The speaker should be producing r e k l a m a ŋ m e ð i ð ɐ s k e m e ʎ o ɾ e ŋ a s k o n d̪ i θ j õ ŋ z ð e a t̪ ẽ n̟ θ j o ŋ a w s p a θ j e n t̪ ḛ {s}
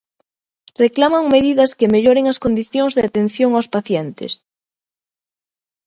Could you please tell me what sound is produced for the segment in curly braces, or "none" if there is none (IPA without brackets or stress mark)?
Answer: s